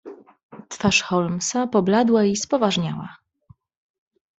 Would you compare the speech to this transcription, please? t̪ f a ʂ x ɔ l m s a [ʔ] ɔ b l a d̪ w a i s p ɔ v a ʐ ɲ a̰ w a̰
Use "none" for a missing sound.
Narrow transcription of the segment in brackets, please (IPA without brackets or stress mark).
p